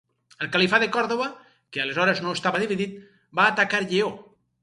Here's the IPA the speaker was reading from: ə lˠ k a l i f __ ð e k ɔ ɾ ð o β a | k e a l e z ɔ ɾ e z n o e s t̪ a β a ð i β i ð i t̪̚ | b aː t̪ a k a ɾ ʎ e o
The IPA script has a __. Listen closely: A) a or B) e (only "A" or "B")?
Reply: A